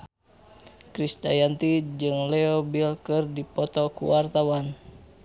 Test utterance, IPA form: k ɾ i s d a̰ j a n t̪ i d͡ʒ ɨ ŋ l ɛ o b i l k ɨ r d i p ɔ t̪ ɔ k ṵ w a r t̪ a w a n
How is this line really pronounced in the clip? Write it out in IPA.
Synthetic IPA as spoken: k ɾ i s d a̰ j a n t̪ i d͡ʒ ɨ ŋ l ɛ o b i l k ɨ r d i p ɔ t̪ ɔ k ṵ w a r t̪ a w a n